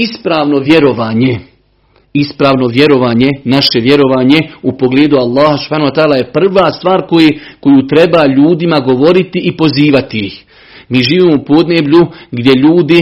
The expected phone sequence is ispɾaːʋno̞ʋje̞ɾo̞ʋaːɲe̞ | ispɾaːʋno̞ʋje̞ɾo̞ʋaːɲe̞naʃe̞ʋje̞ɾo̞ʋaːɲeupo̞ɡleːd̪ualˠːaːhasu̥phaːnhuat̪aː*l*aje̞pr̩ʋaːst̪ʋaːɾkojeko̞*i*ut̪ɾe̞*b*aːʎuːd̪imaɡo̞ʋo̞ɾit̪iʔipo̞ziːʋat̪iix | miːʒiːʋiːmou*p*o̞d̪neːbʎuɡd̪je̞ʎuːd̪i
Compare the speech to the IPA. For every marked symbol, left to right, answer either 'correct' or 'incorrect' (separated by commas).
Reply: correct, incorrect, correct, correct